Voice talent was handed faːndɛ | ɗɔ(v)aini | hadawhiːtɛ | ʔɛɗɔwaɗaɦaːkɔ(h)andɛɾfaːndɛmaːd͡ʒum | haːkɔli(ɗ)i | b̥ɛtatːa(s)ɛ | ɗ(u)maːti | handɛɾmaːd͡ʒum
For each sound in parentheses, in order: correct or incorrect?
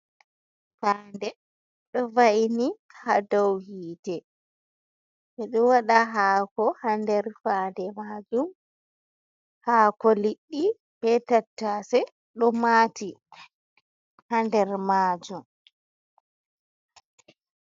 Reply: correct, correct, incorrect, correct, incorrect

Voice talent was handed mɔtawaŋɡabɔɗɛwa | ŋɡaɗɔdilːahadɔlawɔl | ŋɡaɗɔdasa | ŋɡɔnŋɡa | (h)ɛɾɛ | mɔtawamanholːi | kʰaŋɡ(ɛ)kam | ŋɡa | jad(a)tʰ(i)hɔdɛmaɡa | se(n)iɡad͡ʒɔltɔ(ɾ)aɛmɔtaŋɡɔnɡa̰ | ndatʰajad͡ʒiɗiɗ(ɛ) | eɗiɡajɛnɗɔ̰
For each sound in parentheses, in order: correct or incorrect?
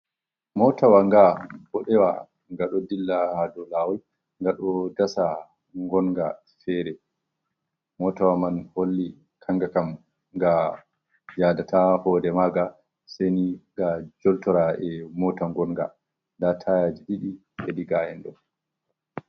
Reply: incorrect, incorrect, correct, incorrect, correct, correct, incorrect

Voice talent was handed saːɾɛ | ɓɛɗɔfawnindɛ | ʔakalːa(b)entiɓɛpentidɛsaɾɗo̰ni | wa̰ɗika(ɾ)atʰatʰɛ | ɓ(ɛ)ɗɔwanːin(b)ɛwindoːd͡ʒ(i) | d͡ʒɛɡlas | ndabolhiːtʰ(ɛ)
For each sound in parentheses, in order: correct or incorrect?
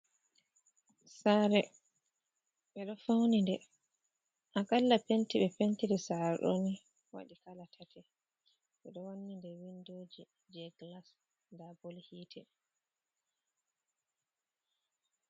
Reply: incorrect, incorrect, correct, incorrect, correct, correct

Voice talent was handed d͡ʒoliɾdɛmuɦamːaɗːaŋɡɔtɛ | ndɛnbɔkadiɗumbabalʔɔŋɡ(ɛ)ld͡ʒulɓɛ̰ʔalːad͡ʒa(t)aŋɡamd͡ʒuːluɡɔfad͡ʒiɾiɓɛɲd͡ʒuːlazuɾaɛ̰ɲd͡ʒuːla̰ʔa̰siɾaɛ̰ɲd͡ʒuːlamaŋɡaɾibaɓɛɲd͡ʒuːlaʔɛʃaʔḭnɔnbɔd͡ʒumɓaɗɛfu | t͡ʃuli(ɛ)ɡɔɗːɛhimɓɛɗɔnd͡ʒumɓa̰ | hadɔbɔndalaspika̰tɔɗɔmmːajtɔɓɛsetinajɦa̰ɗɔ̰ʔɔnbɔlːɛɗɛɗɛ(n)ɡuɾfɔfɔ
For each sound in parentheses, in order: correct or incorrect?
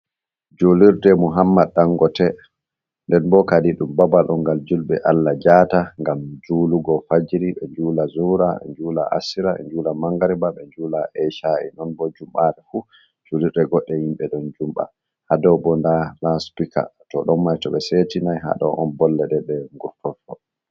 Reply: incorrect, correct, correct, incorrect

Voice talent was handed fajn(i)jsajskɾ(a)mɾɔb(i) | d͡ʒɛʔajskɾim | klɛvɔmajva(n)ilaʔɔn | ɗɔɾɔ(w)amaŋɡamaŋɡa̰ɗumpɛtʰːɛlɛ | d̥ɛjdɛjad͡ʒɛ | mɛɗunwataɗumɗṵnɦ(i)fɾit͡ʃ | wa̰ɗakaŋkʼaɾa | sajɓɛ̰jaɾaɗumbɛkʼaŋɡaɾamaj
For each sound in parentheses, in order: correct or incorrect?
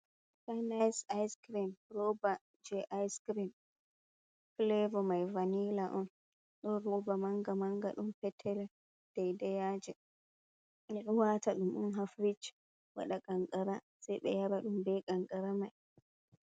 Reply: incorrect, incorrect, incorrect, correct, incorrect, incorrect

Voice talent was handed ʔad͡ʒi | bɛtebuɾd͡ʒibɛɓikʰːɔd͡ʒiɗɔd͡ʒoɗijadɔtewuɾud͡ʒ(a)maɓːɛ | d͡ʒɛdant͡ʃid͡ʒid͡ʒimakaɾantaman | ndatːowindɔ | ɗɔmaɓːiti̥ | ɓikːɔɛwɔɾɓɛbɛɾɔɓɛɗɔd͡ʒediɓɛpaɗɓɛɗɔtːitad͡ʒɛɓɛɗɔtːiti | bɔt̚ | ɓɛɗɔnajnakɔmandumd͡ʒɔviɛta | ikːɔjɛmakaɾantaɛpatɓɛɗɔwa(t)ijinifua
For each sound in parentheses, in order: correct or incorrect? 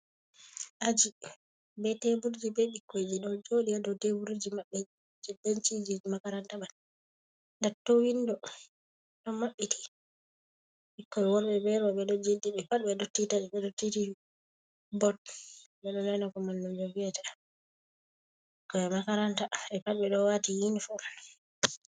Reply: incorrect, correct

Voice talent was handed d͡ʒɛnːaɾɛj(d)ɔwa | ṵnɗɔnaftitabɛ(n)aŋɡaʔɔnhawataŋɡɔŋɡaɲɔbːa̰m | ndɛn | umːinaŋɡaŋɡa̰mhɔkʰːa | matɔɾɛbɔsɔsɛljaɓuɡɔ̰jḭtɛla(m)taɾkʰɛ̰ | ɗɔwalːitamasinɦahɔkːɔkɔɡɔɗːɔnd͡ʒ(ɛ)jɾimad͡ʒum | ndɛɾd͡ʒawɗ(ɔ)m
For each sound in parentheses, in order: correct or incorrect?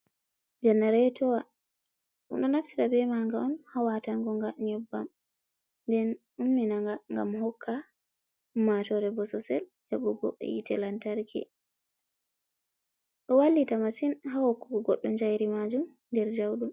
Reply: incorrect, incorrect, incorrect, incorrect, incorrect

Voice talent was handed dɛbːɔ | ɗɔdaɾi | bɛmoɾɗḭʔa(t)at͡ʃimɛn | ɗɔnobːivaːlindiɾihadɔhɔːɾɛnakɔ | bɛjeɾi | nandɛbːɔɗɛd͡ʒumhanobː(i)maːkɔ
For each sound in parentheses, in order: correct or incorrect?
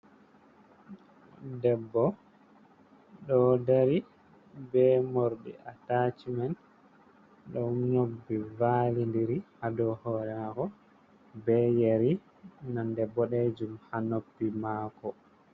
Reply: correct, correct

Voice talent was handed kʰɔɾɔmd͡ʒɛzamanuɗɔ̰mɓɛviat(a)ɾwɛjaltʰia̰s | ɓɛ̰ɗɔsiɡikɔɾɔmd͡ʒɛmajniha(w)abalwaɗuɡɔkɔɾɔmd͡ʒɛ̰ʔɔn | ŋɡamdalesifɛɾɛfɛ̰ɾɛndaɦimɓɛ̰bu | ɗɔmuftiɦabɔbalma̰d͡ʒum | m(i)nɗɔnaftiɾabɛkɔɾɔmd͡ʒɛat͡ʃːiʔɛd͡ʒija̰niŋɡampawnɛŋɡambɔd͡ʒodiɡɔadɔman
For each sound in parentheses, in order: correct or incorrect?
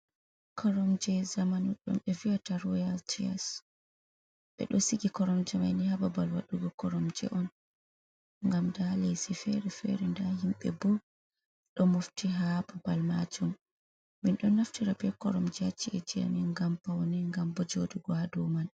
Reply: correct, incorrect, correct

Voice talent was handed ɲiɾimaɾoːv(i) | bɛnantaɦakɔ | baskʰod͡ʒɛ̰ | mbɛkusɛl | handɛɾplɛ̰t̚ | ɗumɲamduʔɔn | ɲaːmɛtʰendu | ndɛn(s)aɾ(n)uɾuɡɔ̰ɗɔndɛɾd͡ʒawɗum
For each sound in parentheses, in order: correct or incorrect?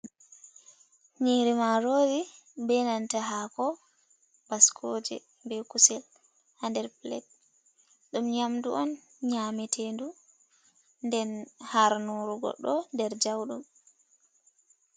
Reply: correct, incorrect, correct

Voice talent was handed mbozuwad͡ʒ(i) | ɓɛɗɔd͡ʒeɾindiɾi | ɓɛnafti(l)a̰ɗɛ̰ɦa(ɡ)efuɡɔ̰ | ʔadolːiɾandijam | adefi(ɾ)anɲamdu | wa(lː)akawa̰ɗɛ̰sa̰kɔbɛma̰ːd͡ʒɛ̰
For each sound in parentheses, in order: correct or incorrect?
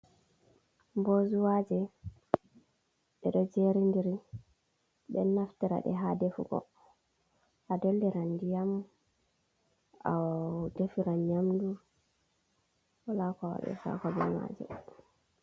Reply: incorrect, incorrect, incorrect, correct, incorrect

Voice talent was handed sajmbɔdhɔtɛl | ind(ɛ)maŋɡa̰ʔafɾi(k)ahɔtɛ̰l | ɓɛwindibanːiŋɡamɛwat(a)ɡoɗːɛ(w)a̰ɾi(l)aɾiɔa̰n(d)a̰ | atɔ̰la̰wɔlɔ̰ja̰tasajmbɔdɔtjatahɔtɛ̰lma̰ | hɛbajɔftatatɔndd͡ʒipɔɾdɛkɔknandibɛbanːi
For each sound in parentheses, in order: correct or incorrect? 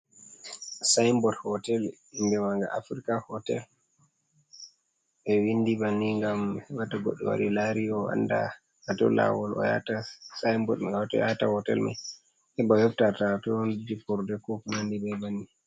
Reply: correct, correct, correct, correct, correct, correct

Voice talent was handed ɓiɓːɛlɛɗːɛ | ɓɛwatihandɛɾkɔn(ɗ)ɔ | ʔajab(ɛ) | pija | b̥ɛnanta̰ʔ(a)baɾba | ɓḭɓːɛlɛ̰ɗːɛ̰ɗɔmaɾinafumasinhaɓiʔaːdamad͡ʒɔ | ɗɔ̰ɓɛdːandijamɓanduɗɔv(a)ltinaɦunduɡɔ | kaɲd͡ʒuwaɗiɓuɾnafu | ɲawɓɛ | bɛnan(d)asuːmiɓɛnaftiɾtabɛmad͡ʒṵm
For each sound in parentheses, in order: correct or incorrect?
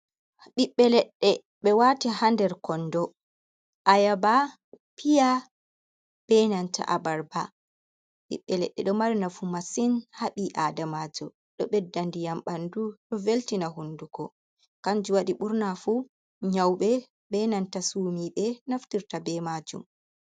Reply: incorrect, incorrect, correct, incorrect, incorrect

